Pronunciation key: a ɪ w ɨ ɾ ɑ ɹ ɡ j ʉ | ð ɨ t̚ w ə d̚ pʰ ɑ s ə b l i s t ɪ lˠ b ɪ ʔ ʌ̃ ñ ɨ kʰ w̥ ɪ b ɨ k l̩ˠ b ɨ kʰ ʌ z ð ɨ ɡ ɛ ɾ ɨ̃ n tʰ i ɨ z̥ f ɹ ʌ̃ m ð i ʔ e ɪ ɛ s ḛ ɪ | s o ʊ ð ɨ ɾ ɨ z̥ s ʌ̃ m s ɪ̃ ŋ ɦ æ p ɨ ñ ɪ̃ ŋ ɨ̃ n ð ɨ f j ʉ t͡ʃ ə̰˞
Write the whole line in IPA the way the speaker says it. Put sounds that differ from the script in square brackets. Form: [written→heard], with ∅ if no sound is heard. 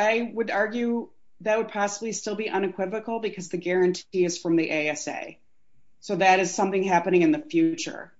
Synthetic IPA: a ɪ w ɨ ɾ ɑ ɹ ɡ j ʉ | ð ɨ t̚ w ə d̚ pʰ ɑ s ə b l i s t ɪ lˠ b [ɪ→i] ʔ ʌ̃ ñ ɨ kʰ w̥ ɪ [b→v] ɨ k l̩ˠ b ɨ kʰ ʌ z ð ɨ ɡ ɛ [ɾ→ɹ] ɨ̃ n tʰ i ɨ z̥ f ɹ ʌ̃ m ð i ʔ e ɪ ɛ s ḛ ɪ | s o ʊ ð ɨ ɾ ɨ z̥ s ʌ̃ m [s→θ] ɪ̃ ŋ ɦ æ p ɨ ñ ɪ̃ ŋ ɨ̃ n ð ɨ f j ʉ t͡ʃ ə̰˞